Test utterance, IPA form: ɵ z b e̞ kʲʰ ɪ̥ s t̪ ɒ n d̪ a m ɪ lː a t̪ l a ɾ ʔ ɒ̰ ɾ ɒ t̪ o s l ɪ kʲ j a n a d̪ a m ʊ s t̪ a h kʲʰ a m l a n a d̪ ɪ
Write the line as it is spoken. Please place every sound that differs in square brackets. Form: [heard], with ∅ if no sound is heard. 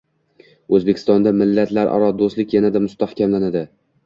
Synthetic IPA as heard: ɵ z b e̞ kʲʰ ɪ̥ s t̪ ɒ n d̪ a m ɪ lː a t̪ l a ɾ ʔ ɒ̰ ɾ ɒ [d̪] o s l ɪ kʲ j a n a d̪ a m ʊ s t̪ a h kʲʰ a m l a n a d̪ ɪ